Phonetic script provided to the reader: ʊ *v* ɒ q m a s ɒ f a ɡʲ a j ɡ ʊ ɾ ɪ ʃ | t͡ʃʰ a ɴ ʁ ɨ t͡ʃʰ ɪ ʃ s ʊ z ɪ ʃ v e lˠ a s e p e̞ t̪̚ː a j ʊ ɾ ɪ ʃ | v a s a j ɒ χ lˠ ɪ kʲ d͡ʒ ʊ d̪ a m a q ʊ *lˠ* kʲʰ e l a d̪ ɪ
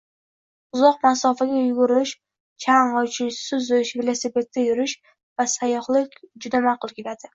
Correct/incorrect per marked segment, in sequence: incorrect: z, correct

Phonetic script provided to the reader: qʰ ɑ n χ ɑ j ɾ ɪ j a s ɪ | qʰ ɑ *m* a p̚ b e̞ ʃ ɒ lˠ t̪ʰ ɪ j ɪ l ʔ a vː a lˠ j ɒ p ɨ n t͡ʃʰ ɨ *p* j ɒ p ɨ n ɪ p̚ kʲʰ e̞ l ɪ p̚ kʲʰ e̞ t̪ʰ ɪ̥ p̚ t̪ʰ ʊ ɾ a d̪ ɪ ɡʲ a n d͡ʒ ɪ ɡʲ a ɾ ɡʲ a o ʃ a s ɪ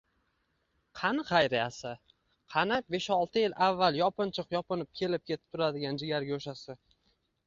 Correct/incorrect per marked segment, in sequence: incorrect: n, incorrect: q

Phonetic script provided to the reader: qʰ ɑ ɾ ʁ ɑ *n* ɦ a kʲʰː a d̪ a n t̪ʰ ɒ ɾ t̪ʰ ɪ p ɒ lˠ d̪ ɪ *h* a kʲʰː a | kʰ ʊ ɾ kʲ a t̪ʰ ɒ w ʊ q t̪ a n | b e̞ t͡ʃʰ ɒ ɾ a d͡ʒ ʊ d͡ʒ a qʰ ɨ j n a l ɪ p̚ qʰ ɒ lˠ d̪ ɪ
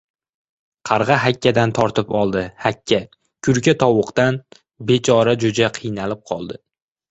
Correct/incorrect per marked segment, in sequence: incorrect: none, correct

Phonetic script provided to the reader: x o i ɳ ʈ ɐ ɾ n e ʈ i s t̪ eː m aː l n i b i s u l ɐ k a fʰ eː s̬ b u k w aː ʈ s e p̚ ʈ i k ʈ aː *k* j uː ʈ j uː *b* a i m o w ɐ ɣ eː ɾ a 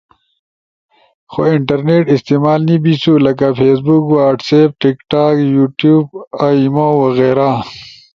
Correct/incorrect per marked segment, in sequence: correct, correct

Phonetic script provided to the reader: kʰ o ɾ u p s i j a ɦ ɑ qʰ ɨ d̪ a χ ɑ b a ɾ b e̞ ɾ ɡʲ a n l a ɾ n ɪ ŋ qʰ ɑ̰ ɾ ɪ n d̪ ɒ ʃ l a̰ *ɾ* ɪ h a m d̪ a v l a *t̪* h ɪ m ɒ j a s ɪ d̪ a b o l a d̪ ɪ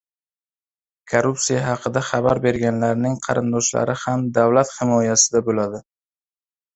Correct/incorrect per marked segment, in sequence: correct, correct

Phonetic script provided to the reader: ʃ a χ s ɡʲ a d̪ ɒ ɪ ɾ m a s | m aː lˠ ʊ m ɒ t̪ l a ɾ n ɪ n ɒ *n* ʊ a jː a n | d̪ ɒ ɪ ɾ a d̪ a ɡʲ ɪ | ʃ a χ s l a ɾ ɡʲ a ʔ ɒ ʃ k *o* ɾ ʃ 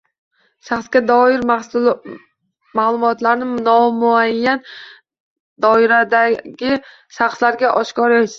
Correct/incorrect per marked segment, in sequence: incorrect: m, incorrect: ɒ

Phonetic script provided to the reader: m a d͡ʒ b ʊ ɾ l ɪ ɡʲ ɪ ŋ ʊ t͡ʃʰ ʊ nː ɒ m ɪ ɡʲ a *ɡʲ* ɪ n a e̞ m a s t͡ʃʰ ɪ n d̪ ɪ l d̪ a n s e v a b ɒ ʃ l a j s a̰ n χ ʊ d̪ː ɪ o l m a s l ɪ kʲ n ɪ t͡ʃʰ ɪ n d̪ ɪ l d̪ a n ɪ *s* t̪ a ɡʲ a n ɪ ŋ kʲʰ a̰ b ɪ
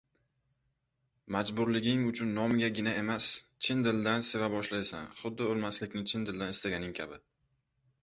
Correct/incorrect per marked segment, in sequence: correct, correct

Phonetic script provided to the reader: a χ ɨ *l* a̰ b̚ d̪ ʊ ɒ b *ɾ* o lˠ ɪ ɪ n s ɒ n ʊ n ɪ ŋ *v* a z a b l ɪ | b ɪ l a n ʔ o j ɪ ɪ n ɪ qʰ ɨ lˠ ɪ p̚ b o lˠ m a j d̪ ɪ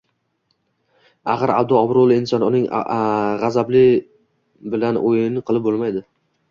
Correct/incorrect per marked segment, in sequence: incorrect: ɾ, correct, incorrect: ʁ

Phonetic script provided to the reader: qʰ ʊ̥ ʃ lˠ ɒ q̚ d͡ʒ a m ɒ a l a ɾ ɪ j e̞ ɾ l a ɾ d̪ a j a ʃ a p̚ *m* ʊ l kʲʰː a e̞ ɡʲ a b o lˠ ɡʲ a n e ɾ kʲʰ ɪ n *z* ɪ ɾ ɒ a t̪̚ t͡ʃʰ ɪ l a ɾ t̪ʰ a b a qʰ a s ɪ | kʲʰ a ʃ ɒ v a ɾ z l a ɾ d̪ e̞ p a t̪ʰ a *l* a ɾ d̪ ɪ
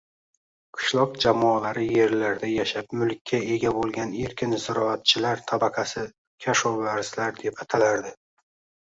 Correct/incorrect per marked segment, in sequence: correct, correct, correct

